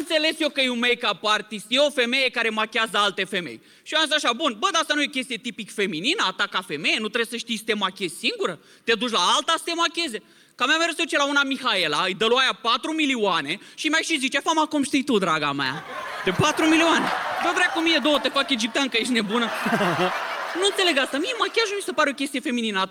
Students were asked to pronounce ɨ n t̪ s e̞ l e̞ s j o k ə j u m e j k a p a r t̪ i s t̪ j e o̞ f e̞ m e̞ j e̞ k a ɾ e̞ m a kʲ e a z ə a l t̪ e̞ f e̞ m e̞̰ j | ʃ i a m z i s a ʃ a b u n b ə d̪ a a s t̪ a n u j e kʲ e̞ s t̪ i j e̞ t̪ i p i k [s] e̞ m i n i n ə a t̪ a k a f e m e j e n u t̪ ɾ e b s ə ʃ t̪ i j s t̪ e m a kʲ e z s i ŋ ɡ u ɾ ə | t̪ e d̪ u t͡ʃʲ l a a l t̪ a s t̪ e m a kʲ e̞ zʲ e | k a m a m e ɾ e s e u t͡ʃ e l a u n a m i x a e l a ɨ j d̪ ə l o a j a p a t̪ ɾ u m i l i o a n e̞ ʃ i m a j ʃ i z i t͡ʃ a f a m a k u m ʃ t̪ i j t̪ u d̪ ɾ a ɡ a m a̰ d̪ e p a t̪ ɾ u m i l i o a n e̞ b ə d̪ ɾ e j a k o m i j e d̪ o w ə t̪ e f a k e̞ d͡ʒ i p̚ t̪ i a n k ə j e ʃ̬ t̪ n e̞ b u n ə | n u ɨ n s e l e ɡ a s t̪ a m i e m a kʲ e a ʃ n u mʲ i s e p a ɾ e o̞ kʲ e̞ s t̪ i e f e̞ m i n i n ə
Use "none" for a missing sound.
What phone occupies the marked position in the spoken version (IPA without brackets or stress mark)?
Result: f